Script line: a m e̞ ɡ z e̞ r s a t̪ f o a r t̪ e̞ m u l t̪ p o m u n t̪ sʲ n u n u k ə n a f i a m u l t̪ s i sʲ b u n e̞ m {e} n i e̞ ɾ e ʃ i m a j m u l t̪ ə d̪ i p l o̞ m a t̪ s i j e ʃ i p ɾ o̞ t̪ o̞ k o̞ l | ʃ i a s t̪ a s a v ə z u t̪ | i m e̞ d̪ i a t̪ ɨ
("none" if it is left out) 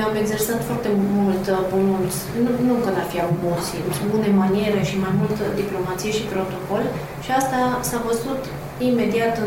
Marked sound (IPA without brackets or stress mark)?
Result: a